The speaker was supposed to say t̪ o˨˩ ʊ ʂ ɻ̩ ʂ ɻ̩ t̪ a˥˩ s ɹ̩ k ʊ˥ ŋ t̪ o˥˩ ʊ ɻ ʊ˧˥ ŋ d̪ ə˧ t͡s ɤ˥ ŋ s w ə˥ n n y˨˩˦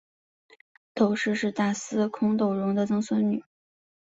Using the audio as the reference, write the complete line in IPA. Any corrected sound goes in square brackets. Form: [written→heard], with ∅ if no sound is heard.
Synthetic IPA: t̪ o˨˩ ʊ ʂ ɻ̩ ʂ ɻ̩ t̪ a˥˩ s ɹ̩ [k→kʰ] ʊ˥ ŋ t̪ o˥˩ ʊ ɻ ʊ˧˥ ŋ d̪ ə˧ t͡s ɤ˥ ŋ s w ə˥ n n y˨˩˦

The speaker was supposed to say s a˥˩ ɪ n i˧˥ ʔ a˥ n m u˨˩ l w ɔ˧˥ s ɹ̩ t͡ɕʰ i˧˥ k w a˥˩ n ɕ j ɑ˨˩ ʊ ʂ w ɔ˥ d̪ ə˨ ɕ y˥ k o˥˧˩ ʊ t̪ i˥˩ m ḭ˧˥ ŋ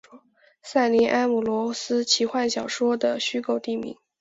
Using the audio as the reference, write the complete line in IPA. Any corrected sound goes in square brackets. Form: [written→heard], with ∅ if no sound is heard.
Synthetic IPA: s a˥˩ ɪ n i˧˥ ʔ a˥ n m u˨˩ l w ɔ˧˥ s ɹ̩ t͡ɕʰ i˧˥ [k→x] w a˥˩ n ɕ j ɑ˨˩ ʊ ʂ w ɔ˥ d̪ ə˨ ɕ y˥ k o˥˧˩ ʊ t̪ i˥˩ m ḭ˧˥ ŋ

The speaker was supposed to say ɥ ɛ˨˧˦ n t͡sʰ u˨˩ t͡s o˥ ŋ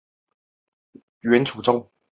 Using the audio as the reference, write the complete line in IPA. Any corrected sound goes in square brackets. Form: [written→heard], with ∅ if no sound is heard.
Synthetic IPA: ɥ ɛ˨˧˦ n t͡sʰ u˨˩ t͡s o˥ ŋ

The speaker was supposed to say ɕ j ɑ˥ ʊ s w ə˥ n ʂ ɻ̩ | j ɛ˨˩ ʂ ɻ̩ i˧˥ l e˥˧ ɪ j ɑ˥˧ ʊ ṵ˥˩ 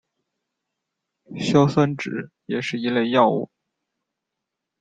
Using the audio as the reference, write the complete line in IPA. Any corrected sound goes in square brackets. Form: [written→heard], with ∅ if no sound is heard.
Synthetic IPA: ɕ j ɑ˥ ʊ s w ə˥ n [ʂ→ʈ͡ʂ] ɻ̩ | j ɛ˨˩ ʂ ɻ̩ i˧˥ l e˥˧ ɪ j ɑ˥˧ ʊ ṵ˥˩

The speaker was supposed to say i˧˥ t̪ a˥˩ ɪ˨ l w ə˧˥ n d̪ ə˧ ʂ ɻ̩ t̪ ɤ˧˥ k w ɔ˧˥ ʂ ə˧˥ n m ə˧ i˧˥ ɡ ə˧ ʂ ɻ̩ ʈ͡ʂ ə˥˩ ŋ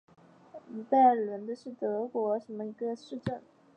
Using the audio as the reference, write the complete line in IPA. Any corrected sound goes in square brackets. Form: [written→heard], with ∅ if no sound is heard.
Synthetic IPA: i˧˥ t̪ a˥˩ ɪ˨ l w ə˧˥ n d̪ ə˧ ʂ ɻ̩ t̪ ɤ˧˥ k w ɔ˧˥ ʂ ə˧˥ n m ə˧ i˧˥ ɡ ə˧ ʂ ɻ̩ ʈ͡ʂ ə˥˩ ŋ

